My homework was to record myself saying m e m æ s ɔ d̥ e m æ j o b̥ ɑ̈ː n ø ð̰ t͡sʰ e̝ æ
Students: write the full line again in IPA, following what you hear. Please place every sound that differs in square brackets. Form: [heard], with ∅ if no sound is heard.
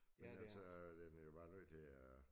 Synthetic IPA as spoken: m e [n] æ s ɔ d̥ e [n] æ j o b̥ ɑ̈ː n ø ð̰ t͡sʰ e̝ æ